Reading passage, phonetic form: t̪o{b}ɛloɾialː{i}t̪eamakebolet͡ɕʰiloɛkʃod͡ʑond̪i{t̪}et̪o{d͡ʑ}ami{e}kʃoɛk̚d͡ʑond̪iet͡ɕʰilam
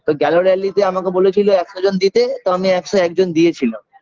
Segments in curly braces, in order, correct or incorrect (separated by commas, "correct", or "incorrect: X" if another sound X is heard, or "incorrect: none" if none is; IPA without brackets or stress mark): incorrect: ɡ, correct, correct, incorrect: none, incorrect: ɛ